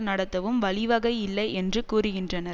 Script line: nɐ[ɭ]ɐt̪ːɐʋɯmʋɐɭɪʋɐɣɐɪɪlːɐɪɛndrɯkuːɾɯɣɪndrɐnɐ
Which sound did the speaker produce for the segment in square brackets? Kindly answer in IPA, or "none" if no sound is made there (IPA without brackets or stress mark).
ɽ